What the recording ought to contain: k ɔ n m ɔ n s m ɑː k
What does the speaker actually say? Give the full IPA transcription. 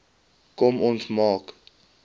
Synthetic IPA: k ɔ m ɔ n s m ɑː k

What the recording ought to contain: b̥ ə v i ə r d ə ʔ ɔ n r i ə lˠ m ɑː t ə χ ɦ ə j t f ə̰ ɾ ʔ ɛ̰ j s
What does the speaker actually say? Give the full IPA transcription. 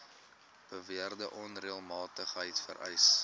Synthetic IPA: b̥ ə v i ə r d ə ʔ ɔ n r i ə lˠ m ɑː t ə χ ɦ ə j t f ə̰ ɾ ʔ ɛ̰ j s

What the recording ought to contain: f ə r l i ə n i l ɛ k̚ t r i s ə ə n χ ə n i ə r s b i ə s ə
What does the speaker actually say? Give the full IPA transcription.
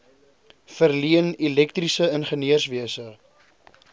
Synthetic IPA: f ə r l i ə n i l ɛ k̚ t r i s ə ə n χ ə n i ə r s v i ə s ə

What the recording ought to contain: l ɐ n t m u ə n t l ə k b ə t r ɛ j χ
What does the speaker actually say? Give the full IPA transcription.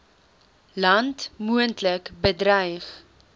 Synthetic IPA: l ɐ n t m u ə n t l ə k b ə d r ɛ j χ

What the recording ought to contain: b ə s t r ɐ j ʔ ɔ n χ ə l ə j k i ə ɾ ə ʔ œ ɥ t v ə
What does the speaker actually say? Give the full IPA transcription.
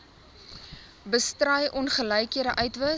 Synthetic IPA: b ə s t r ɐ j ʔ ɔ n χ ə l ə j k i ə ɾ ə ʔ œ ɥ t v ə

